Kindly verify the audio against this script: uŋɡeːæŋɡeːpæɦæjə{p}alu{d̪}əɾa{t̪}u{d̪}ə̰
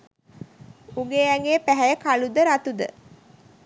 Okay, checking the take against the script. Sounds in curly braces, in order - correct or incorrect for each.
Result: incorrect, correct, correct, correct

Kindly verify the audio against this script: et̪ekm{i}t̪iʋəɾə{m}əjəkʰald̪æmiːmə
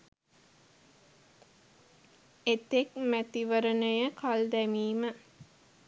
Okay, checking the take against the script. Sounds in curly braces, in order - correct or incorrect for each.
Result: incorrect, incorrect

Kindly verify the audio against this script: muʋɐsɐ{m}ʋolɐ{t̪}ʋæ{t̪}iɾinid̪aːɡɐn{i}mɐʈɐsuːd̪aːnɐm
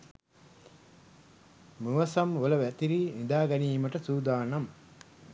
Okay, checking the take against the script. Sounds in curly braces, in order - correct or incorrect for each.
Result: correct, incorrect, correct, incorrect

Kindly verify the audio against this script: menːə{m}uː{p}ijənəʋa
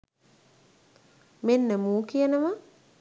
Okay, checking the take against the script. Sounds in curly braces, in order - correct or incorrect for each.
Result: correct, incorrect

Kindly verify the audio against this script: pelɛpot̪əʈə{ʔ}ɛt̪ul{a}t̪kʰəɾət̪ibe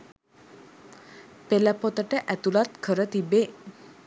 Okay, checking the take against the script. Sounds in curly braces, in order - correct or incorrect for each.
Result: correct, correct

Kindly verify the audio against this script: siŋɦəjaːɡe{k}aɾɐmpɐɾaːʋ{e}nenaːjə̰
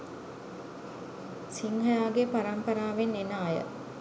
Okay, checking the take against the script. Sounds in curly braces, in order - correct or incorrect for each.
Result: incorrect, correct

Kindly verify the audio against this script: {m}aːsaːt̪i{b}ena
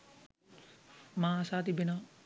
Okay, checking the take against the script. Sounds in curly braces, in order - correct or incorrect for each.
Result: correct, correct

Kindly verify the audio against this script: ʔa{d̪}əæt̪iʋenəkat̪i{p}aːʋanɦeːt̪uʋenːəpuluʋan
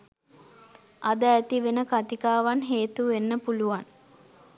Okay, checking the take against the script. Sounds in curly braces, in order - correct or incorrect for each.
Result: correct, incorrect

